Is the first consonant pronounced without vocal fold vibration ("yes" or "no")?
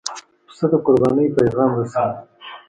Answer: yes